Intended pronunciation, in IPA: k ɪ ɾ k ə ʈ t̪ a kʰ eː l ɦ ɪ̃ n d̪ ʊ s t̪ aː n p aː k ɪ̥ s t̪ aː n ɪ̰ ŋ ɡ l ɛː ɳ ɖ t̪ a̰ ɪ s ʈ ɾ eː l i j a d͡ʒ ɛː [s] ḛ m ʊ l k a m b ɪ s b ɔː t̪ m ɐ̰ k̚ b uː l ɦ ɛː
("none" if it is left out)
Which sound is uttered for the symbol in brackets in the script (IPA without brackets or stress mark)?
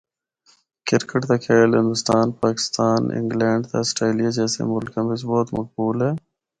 s